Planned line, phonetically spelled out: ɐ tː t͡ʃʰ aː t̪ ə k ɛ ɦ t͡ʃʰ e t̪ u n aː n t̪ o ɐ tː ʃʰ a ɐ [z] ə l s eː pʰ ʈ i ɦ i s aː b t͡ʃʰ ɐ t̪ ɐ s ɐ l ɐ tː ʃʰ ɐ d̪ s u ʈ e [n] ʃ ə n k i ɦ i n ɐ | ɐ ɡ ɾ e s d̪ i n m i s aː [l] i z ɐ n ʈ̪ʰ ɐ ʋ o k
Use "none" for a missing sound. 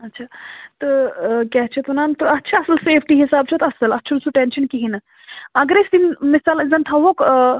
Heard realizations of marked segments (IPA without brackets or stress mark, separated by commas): s, n, l